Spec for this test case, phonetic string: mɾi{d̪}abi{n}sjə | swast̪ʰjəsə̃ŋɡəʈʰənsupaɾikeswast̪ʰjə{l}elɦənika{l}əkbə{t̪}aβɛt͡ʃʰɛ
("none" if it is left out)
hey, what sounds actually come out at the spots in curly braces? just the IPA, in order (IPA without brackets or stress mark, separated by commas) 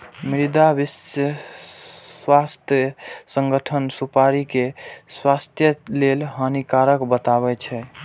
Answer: d̪, none, l, ɾ, t̪